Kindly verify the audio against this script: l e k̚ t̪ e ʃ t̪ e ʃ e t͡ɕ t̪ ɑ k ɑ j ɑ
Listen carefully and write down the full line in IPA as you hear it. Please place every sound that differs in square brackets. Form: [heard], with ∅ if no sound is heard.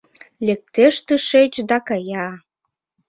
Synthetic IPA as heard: l e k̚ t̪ e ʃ t̪ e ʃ e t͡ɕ [d̪] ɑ k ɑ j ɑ